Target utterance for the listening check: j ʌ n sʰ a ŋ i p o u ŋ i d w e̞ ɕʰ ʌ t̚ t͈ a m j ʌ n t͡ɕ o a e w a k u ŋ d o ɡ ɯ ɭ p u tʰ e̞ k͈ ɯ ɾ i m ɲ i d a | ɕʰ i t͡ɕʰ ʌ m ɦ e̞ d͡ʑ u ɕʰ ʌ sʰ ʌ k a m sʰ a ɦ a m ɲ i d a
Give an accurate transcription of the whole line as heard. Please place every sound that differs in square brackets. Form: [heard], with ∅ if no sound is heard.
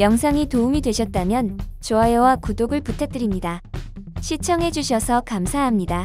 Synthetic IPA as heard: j ʌ [ŋ] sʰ a ŋ i [t] o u [m] i d w e̞ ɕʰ ʌ t̚ t͈ a m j ʌ n t͡ɕ o a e w a k u [∅] d o ɡ ɯ ɭ p u tʰ e̞ [t͈] ɯ ɾ i m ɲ i d a | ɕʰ i t͡ɕʰ ʌ [ŋ] ɦ e̞ d͡ʑ u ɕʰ ʌ sʰ ʌ k a m sʰ a ɦ a m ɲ i d a